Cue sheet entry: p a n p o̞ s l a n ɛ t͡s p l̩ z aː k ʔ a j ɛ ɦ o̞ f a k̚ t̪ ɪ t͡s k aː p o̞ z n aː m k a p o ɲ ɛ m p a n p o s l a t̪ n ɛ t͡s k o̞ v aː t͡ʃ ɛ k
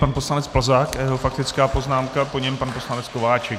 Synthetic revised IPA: p a n p o̞ s l a n ɛ t͡s p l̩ z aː k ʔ a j ɛ ɦ o̞ f a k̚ t̪ ɪ t͡s k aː p o̞ z n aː m k a p o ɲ ɛ m p a n p o s l a n ɛ t͡s k o̞ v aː t͡ʃ ɛ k